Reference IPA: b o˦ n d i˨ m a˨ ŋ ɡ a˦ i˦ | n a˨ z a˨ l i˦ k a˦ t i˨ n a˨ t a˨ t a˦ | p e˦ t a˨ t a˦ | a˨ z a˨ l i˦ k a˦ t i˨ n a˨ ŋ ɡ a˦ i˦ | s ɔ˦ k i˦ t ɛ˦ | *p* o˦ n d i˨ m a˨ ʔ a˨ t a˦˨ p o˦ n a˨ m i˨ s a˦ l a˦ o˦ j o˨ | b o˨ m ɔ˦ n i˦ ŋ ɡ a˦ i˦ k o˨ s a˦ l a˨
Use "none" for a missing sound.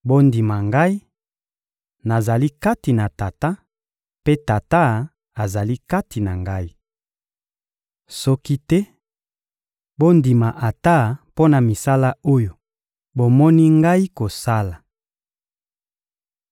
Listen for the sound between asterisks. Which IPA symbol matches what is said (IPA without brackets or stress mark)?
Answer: b